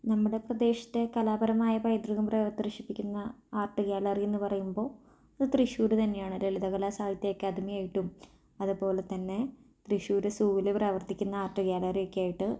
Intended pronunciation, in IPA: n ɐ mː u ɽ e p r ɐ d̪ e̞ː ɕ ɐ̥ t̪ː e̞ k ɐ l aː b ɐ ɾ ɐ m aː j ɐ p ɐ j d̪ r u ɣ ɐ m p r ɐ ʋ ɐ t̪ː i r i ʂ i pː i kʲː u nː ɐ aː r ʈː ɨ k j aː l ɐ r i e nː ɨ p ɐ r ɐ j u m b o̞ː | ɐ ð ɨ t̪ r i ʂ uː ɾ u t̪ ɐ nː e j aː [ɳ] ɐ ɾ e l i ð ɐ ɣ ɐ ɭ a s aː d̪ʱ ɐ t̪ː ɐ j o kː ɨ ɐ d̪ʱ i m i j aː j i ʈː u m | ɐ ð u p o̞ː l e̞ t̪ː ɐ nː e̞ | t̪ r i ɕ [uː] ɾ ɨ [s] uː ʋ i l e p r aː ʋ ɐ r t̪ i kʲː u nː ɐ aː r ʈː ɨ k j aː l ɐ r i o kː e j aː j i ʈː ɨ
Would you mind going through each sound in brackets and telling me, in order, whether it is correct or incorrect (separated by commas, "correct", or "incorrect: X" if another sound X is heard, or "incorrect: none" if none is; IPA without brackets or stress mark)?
correct, correct, correct